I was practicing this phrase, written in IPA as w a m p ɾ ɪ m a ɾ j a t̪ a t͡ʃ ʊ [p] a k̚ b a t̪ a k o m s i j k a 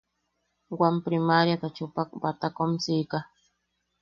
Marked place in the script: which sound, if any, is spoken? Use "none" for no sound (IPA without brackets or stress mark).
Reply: p